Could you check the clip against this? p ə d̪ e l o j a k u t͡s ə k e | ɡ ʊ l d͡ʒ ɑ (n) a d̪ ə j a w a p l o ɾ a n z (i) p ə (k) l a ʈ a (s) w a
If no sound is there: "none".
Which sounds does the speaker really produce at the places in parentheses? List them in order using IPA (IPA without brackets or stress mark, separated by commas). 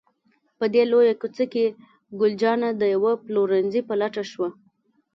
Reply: n, i, none, ʃ